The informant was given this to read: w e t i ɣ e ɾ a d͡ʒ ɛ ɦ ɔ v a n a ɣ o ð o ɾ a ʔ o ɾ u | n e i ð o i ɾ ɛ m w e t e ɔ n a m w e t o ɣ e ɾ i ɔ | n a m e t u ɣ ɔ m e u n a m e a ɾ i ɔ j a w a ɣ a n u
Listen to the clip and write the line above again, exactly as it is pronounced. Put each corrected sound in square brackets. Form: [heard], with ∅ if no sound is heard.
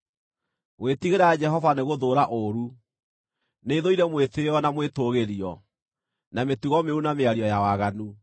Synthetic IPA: w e t i ɣ e ɾ a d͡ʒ ɛ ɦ ɔ v a n [e] ɣ o ð o ɾ a ʔ o ɾ u | n e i ð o i ɾ ɛ m w e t e ɔ n a m w e t o ɣ e ɾ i ɔ | n a m e t u ɣ ɔ m e u n a m e a ɾ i ɔ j a w a ɣ a n u